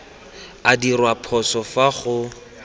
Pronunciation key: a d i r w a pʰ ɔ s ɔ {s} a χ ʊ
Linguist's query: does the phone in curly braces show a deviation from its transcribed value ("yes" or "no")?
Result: yes